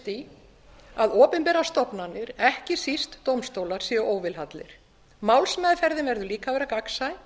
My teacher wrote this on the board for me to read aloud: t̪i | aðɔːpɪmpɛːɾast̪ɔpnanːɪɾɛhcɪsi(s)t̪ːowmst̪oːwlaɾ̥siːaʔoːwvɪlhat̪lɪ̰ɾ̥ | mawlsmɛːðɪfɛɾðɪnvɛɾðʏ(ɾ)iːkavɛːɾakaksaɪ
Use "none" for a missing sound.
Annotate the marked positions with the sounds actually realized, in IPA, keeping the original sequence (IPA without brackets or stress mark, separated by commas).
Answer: s, l